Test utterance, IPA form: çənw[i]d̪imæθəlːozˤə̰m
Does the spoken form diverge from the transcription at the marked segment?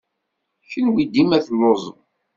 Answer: no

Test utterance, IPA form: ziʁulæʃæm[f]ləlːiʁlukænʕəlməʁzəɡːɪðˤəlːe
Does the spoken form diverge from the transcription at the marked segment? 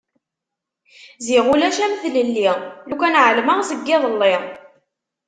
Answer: yes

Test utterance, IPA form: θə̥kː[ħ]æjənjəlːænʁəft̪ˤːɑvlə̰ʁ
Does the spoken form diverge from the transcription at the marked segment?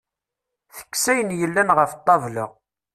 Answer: yes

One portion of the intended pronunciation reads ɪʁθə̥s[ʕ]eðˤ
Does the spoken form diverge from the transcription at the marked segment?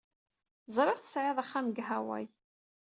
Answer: no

